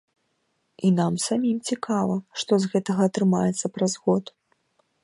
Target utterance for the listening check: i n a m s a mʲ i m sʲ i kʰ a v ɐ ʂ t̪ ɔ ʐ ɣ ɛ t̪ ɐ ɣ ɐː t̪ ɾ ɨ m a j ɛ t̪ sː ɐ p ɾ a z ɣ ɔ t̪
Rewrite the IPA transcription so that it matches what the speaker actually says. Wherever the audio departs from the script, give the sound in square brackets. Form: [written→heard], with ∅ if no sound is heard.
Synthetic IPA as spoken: i n a m s a mʲ i m [sʲ→t͡sʲ] i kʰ a v ɐ ʂ t̪ ɔ [ʐ→z] ɣ ɛ t̪ ɐ ɣ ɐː t̪ ɾ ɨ m a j ɛ t̪ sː ɐ p ɾ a z ɣ ɔ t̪

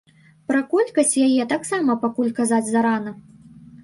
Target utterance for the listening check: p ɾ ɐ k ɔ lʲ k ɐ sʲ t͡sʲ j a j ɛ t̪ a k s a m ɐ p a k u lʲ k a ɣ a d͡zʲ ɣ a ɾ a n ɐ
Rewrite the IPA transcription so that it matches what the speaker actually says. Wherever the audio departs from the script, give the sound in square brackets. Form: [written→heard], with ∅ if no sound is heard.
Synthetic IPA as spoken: p ɾ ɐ k ɔ lʲ k ɐ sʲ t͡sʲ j a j ɛ t̪ a k s a m ɐ p a k u lʲ k a [ɣ→z] a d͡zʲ [ɣ→z] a ɾ a n ɐ

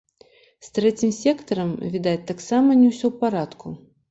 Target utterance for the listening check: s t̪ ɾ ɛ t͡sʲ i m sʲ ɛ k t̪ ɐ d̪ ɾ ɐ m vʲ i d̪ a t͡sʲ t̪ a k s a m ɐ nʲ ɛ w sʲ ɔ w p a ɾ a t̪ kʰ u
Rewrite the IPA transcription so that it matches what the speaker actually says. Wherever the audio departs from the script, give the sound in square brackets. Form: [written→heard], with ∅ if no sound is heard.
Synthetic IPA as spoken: s t̪ ɾ ɛ t͡sʲ i m sʲ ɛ k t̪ ɐ [d̪→∅] ɾ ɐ m vʲ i d̪ a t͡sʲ t̪ a k s a m ɐ nʲ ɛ w sʲ ɔ w p a ɾ a t̪ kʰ u

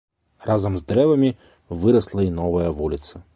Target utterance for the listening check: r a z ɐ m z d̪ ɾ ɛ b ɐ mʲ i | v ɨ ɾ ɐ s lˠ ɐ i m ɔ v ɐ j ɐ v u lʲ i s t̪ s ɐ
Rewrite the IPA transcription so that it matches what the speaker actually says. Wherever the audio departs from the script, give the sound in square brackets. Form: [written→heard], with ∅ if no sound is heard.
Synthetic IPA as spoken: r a z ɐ m z d̪ ɾ ɛ [b→v] ɐ mʲ i | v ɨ ɾ ɐ s lˠ ɐ i [m→n] ɔ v ɐ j ɐ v u lʲ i [s→∅] t̪ s ɐ

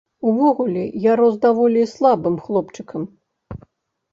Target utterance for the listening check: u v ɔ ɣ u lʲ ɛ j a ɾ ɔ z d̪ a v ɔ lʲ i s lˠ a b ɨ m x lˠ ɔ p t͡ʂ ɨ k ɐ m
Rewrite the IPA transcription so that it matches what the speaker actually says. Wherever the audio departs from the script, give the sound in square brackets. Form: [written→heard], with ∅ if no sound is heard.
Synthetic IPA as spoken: u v ɔ ɣ u lʲ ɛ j a ɾ ɔ z d̪ a v ɔ lʲ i s lˠ a b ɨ m x lˠ ɔ p t͡ʂ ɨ k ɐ m

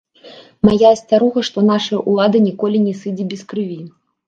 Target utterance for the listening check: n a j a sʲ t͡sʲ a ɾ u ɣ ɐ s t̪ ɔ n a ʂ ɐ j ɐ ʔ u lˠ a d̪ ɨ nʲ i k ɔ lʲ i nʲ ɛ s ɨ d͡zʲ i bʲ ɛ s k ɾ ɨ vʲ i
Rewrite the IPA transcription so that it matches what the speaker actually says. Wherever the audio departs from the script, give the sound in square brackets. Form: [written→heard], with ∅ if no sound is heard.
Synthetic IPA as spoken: [n→m] a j a sʲ t͡sʲ a ɾ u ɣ ɐ [s→ʂ] t̪ ɔ n a ʂ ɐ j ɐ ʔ u lˠ a d̪ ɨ nʲ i k ɔ lʲ i nʲ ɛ s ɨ d͡zʲ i bʲ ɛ s k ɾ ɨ vʲ i

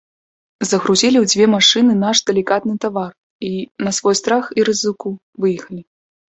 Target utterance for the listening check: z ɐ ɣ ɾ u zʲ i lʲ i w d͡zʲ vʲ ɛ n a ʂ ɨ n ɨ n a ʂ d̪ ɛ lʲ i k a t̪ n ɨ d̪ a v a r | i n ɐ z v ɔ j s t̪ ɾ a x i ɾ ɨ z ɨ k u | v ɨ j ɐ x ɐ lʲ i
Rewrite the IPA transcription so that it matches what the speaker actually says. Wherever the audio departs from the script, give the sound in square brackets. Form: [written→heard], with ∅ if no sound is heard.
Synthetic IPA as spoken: z ɐ ɣ ɾ u zʲ i lʲ i w d͡zʲ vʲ ɛ [n→m] a ʂ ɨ n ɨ n a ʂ d̪ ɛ lʲ i k a t̪ n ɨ [d̪→t̪] a v a r | i n ɐ [z→s] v ɔ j s t̪ ɾ a x i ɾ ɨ z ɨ k u | v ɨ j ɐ x ɐ lʲ i

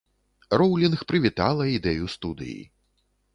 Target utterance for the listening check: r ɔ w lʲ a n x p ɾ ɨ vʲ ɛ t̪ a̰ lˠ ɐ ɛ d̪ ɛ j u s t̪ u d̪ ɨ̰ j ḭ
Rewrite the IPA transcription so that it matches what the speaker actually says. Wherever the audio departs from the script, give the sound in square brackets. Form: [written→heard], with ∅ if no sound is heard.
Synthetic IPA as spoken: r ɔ w lʲ [a→i] n x p ɾ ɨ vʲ [ɛ→i] t̪ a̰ lˠ ɐ [ɛ→i] d̪ ɛ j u s t̪ u d̪ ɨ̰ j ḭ

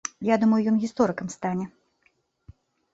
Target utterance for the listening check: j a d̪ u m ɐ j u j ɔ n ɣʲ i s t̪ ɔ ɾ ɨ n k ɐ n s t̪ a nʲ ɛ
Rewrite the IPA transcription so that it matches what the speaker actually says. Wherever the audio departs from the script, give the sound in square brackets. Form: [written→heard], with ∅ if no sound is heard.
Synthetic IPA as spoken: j a d̪ u m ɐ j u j ɔ n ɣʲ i s t̪ ɔ ɾ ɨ [n→∅] k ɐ [n→m] s t̪ a nʲ ɛ

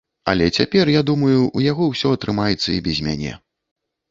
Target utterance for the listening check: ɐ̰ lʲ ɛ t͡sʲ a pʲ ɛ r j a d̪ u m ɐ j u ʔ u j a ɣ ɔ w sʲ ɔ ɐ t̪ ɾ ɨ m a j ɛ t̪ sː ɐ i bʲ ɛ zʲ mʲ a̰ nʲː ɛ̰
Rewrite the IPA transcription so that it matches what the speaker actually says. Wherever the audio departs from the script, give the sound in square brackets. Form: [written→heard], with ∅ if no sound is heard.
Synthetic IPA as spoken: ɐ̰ lʲ ɛ t͡sʲ a pʲ ɛ r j a d̪ u m ɐ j u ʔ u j a ɣ ɔ w sʲ ɔ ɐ t̪ ɾ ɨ m a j ɛ t̪ sː ɐ i bʲ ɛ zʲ mʲ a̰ [nʲː→nʲ] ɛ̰

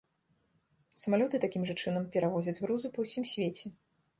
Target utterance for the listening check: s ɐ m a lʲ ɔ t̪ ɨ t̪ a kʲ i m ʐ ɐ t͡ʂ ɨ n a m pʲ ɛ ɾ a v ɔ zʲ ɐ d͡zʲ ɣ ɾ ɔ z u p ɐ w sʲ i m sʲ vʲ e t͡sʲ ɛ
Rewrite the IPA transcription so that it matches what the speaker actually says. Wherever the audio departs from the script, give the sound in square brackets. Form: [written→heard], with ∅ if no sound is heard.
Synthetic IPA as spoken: s ɐ m a lʲ ɔ t̪ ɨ t̪ a kʲ i m ʐ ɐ t͡ʂ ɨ n [a→ɐ] m pʲ ɛ ɾ a v ɔ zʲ ɐ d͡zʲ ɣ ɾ [ɔ→u] z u p ɐ w sʲ i m sʲ vʲ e t͡sʲ ɛ

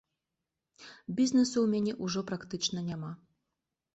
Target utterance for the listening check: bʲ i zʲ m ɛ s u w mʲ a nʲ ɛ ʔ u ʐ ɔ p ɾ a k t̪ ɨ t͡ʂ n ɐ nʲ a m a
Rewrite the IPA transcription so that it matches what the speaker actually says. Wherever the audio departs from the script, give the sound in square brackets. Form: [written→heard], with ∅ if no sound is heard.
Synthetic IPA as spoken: bʲ i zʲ [m→n] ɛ s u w mʲ a nʲ ɛ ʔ u ʐ ɔ p ɾ a k t̪ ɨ t͡ʂ n ɐ nʲ a m a

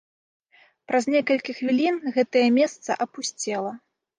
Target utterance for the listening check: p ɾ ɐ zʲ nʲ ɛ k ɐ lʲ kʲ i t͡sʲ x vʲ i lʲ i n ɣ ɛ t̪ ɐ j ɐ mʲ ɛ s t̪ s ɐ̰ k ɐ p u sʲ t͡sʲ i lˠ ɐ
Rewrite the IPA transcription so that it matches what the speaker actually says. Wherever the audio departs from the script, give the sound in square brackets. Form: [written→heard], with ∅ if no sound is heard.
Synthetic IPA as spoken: p ɾ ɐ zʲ nʲ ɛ k ɐ lʲ kʲ i [t͡sʲ→∅] x vʲ i lʲ i n ɣ ɛ t̪ ɐ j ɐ mʲ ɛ s t̪ s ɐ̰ [k→ʔ] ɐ p u sʲ t͡sʲ [i→ɛ] lˠ ɐ

